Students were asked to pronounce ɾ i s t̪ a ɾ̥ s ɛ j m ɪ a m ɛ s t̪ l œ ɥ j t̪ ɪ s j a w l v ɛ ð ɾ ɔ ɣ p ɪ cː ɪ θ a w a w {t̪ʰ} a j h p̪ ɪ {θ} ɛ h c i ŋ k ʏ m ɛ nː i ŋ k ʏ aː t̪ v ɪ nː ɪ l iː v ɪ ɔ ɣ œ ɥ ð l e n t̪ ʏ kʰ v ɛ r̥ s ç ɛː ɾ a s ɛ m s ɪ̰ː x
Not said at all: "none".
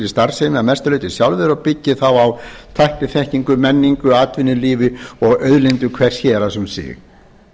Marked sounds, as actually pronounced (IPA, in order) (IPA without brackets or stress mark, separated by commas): t̪ʰ, θ